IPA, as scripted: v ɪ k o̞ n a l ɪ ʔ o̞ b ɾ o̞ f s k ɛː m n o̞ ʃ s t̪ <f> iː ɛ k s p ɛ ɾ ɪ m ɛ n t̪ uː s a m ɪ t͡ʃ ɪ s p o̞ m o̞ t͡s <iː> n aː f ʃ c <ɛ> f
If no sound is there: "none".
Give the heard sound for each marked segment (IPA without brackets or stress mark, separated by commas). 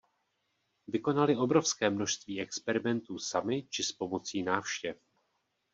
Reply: v, iː, ɛ